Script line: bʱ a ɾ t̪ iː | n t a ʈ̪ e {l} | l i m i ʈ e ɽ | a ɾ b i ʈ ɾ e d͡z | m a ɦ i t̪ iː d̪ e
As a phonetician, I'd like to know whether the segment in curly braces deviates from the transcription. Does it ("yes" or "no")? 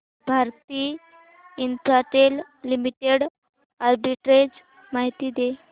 no